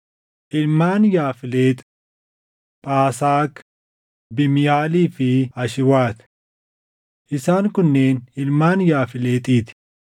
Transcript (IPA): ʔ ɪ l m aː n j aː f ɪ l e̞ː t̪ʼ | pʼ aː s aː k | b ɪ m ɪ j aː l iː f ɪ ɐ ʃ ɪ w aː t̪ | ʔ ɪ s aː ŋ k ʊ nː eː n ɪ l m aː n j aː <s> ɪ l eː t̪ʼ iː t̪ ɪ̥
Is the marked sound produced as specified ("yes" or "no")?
no